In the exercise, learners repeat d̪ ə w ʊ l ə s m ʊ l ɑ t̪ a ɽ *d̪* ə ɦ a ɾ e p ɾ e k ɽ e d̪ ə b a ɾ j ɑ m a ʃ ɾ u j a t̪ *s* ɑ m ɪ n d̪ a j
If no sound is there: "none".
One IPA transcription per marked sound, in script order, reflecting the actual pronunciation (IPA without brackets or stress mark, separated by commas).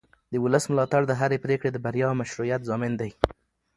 d̪, z